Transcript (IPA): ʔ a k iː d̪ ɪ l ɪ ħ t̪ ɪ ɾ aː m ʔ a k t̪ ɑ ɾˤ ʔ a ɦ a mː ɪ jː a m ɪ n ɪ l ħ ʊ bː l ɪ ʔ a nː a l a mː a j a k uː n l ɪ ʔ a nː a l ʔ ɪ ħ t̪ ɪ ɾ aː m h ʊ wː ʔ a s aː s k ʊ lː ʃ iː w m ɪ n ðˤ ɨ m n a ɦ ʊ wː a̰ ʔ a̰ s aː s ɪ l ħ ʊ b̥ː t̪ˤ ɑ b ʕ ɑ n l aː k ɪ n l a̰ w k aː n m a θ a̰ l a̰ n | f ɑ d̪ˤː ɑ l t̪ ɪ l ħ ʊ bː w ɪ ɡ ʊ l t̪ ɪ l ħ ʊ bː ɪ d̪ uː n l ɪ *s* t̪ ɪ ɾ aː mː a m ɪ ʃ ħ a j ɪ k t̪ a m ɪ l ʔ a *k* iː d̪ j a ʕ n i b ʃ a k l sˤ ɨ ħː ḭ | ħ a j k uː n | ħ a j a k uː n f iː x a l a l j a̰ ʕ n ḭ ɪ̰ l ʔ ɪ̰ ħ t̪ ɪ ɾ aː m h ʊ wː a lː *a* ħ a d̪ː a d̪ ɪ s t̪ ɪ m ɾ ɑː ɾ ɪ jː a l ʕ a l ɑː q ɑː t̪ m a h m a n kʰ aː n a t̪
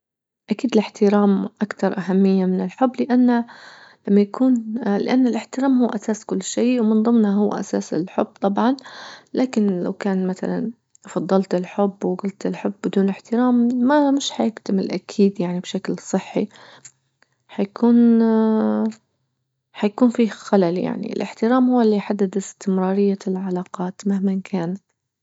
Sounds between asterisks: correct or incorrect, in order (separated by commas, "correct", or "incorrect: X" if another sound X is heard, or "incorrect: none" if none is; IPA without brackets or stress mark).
incorrect: ħ, incorrect: kʰ, incorrect: i